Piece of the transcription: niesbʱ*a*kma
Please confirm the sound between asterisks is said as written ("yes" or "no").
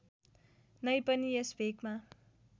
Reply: no